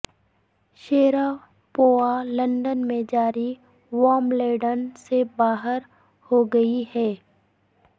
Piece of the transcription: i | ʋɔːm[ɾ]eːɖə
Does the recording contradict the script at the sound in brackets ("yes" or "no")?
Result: yes